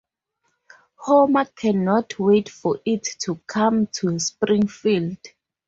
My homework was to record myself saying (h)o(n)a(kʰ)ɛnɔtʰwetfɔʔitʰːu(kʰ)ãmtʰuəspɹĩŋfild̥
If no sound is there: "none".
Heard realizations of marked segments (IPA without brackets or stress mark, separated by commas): h, m, kʰ, kʰ